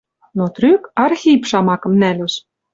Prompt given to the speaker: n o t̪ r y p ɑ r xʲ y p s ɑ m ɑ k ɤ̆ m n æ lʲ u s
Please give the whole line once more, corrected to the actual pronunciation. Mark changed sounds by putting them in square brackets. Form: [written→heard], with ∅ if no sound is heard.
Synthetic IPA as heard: n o t̪ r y [p→k] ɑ r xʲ [y→i] p [s→ʃ] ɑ m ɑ k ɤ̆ m n æ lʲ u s